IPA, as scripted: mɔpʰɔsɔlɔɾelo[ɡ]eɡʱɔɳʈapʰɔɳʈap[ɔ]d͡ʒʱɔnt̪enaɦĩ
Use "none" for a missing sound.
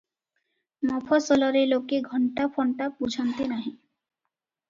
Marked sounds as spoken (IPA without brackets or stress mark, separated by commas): k, u